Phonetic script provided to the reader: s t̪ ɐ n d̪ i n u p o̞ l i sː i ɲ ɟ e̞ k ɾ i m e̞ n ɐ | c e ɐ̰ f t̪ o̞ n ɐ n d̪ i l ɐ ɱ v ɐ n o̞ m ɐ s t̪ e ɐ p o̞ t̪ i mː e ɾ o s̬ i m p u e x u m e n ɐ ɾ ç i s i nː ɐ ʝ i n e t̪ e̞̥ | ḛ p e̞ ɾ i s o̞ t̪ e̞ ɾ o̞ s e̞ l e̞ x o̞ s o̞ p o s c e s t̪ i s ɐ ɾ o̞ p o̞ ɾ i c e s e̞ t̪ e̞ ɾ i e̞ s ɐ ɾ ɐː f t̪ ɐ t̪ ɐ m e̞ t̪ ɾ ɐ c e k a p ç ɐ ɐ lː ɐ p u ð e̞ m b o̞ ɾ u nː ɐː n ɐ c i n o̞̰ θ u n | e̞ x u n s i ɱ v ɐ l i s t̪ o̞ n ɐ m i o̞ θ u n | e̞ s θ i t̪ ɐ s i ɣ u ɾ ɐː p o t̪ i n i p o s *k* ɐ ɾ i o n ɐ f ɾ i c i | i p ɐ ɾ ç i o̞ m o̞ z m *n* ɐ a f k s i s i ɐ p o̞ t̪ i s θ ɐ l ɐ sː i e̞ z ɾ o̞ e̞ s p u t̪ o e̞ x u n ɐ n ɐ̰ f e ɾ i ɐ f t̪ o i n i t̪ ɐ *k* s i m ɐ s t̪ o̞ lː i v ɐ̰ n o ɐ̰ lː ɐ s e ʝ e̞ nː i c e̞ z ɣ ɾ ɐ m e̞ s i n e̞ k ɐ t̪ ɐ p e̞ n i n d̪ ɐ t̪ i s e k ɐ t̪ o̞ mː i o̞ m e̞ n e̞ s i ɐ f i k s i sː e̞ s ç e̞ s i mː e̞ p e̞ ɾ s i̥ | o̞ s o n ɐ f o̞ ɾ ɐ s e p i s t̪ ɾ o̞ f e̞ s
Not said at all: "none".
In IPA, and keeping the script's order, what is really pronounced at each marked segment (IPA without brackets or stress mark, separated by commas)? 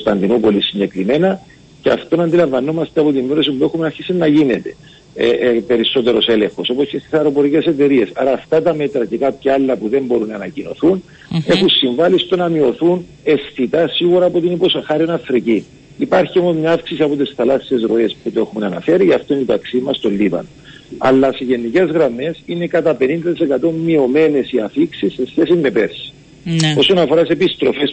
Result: x, ɲ, k